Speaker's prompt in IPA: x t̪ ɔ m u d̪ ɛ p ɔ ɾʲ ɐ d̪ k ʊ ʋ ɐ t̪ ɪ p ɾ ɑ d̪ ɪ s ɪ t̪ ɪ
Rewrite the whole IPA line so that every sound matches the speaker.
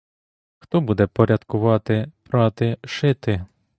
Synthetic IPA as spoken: x t̪ ɔ b u d̪ ɛ p ɔ ɾʲ ɐ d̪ k ʊ ʋ ɑ t̪ ɪ p ɾ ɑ t̪ ɪ ʃ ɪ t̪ ɪ